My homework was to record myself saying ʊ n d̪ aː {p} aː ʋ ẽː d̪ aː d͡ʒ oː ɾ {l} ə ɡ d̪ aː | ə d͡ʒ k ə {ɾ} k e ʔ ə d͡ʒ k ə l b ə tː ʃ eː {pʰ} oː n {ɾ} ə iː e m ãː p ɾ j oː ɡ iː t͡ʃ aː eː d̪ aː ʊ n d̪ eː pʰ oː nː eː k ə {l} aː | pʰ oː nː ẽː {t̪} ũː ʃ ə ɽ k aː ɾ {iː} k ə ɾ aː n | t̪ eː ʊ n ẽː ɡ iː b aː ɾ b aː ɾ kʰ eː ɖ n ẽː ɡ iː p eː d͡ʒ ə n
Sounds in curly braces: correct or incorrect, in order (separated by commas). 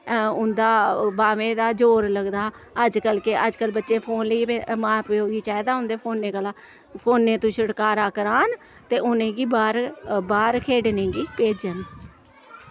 incorrect, correct, incorrect, correct, incorrect, correct, correct, incorrect